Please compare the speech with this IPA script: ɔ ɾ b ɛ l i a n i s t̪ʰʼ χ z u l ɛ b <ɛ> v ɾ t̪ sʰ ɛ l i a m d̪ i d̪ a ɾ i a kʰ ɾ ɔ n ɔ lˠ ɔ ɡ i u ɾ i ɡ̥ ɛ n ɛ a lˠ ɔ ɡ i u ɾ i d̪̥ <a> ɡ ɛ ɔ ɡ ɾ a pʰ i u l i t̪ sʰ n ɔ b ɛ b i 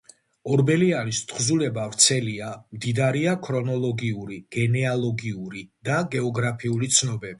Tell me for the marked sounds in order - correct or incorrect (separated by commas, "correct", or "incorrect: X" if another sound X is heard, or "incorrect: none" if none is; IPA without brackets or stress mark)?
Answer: incorrect: a, correct